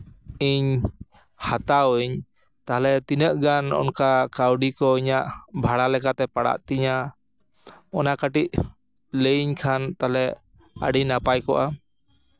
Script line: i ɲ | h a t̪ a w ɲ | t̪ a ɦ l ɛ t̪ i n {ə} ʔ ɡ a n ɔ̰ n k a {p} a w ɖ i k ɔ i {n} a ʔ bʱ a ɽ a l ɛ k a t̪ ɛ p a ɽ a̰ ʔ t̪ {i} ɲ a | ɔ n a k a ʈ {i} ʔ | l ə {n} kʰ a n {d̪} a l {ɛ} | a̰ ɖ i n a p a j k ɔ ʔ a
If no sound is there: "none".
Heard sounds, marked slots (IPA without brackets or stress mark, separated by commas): ə, k, ɲ, i, i, ɲ, t̪, ɛ